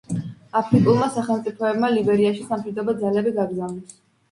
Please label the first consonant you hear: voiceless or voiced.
voiceless